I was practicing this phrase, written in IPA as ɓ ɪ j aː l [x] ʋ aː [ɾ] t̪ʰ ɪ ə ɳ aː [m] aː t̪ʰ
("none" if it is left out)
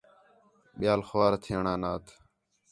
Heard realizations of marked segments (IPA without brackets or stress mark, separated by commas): x, ɾ, n